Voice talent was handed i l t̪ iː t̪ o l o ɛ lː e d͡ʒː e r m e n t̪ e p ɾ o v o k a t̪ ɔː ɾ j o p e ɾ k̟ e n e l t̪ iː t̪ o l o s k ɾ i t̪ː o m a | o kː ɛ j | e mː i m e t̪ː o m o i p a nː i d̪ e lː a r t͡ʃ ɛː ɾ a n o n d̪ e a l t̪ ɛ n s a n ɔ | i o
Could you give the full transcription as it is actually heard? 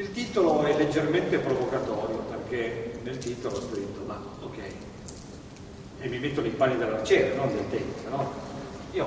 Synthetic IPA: i l t̪ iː t̪ o l o ɛ lː e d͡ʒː e r m e n t̪ e p ɾ o v o k a t̪ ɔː ɾ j o p e r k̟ e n e l t̪ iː t̪ o l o s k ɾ i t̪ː o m a | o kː ɛ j | e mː i m e t̪ː o n o i p a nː i d̪ e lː a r t͡ʃ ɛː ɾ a n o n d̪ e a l t̪ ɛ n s a n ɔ | i o